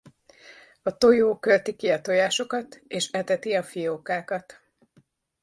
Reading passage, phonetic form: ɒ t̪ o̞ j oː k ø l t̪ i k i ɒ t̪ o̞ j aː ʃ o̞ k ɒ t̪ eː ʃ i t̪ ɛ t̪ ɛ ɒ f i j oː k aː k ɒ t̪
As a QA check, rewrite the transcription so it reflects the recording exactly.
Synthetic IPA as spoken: ɒ t̪ o̞ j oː k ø l t̪ i k i ɒ t̪ o̞ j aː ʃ o̞ k ɒ t̪ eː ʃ ɛ t̪ ɛ t̪ i ɒ f i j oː k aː k ɒ t̪